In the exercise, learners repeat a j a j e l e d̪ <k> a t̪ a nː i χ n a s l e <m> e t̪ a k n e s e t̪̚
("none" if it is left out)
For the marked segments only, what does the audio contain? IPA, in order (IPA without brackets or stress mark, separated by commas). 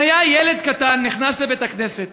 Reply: k, b